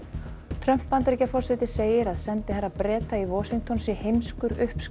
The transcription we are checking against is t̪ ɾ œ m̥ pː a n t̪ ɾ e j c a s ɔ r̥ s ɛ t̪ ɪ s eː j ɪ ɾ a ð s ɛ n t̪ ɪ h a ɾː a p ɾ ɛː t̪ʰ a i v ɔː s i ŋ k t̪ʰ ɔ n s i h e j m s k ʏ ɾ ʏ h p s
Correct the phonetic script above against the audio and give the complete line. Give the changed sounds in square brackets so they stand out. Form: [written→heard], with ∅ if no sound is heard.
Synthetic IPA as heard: [t̪→t̪ʰ] ɾ œ m̥ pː a n t̪ ɾ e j c a [s→f] ɔ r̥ s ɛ t̪ ɪ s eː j ɪ ɾ a ð s ɛ n t̪ ɪ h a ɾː a p ɾ ɛː [t̪ʰ→t̪] a i v ɔː s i ŋ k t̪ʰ ɔ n s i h e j m s k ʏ ɾ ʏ h p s